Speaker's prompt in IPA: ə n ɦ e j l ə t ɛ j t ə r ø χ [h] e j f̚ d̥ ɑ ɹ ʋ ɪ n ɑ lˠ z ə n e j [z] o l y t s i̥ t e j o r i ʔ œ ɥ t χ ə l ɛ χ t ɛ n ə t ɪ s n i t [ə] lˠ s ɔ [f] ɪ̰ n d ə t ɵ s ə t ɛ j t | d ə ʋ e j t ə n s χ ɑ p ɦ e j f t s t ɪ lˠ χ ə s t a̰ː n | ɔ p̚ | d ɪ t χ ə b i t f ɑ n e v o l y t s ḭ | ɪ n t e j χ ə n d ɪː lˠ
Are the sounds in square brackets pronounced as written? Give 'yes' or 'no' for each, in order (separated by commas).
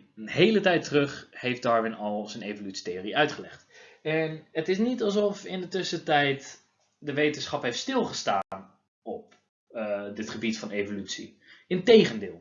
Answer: yes, no, no, yes